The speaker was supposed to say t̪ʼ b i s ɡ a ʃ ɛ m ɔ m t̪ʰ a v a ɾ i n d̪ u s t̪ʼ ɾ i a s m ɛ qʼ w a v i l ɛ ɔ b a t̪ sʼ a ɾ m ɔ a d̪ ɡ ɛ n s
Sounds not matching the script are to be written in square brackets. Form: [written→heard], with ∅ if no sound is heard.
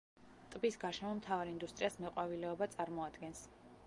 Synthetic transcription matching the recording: t̪ʼ b i s ɡ a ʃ ɛ m ɔ m t̪ʰ a v a ɾ i n d̪ u s t̪ʼ ɾ i a s m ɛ qʼ w a v i l ɛ ɔ b a t̪ sʼ a ɾ m ɔ a d̪ ɡ ɛ n s